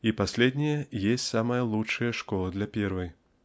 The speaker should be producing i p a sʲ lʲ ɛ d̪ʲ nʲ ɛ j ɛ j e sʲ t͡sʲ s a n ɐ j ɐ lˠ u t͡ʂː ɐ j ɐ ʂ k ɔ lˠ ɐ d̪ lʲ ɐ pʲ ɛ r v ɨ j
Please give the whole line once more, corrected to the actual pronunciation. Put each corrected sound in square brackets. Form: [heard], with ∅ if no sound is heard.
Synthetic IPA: i p a sʲ lʲ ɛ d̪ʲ nʲ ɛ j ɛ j e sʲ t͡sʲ s a [m] ɐ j ɐ lˠ u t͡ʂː ɐ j ɐ ʂ k ɔ lˠ ɐ d̪ lʲ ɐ pʲ ɛ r v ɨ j